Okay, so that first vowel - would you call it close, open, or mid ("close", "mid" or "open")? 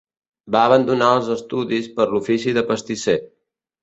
open